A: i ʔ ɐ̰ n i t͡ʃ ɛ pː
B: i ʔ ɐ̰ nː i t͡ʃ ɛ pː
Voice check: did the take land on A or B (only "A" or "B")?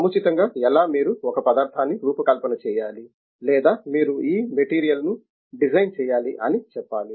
A